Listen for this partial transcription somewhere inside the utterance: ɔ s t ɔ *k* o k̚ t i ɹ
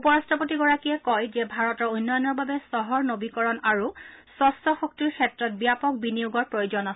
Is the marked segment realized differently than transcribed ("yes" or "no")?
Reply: yes